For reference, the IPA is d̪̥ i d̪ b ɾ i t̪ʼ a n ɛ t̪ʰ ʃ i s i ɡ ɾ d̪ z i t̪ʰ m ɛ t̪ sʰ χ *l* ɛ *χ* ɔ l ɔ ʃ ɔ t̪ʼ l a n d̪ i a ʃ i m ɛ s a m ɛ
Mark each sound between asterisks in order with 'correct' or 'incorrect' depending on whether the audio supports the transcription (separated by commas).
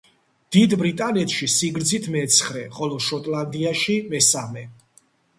incorrect, correct